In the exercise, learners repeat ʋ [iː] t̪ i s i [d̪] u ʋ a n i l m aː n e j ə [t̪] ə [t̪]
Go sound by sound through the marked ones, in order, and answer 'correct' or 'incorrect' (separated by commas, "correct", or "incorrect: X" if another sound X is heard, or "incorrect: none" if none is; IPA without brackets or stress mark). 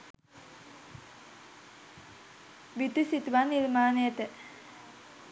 incorrect: i, incorrect: t̪, correct, incorrect: none